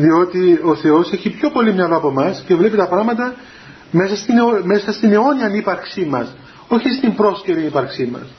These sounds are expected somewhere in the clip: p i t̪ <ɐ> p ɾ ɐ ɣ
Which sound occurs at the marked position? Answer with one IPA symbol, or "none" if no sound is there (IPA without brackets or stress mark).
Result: ɐ